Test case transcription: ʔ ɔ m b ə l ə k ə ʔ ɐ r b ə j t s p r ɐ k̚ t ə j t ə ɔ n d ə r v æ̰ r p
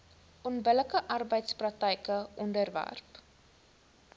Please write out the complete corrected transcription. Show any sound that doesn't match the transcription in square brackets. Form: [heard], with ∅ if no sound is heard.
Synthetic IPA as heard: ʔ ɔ [n] b ə l ə k ə ʔ ɐ r b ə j t s p r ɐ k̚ t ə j [k] ə ɔ n d ə r v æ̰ r p